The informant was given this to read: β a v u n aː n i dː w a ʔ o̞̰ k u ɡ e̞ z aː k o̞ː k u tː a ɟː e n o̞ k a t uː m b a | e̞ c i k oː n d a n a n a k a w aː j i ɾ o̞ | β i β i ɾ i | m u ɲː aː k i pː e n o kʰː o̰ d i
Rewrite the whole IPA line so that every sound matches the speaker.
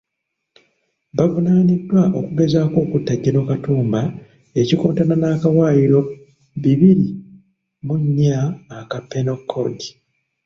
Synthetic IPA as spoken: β a v u n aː n i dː w a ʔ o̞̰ k u ɡ e̞ z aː k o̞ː k u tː a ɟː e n o̞ k a t uː m b a | e̞ c i k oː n t a n a n a k a w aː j i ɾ o̞ | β i β i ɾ i | m u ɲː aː k a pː e n o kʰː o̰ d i